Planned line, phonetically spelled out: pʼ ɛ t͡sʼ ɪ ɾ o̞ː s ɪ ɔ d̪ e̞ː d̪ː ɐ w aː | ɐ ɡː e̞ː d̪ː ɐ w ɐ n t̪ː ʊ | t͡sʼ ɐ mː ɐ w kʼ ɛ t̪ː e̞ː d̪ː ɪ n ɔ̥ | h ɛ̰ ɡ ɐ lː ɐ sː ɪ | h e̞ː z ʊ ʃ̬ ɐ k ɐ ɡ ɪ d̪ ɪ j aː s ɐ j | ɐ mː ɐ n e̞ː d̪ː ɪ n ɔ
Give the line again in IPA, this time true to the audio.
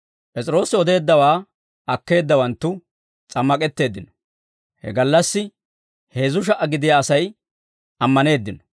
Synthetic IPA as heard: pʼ ɛ t͡sʼ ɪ ɾ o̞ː s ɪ ɔ d̪ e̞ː d̪ː ɐ w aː | ɐ kː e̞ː d̪ː ɐ w ɐ n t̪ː ʊ | t͡sʼ ɐ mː ɐ kʼ ɛ t̪ː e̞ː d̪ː ɪ n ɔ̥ | h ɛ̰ ɡ ɐ lː ɐ sː ɪ | h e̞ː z ʊ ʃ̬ ɐ ʔ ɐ ɡ ɪ d̪ ɪ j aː s ɐ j | ɐ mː ɐ n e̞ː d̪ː ɪ n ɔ